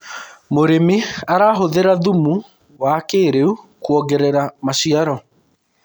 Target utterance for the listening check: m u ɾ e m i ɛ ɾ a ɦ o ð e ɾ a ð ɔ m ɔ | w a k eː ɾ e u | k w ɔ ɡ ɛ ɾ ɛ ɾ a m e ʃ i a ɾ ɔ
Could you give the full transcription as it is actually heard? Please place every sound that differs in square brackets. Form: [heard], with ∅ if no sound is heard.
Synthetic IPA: m [o] ɾ e m i [a] ɾ a ɦ o ð e ɾ a ð [u] m [u] | w a k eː ɾ e u | k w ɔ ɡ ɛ ɾ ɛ ɾ a m [a] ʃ i a ɾ ɔ

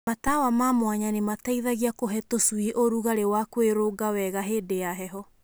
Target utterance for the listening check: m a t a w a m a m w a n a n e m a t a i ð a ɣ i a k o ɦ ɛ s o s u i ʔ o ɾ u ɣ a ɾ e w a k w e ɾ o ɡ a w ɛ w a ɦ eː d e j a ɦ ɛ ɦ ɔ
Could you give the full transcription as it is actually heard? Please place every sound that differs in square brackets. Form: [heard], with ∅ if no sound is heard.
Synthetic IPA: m a t a w a m a m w a [ɲ] a n e m a t a i ð a ɣ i a k o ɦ ɛ [t] o s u i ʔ o ɾ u ɣ a ɾ e w a k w e ɾ o ɡ a w ɛ [ɣ] a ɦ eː d e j a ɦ ɛ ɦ ɔ

